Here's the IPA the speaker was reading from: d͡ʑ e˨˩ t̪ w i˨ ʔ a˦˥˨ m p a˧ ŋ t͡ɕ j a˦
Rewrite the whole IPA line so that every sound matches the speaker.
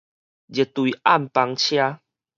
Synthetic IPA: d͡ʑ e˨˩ t̪ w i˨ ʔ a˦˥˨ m p a˧ ŋ t͡ɕʰ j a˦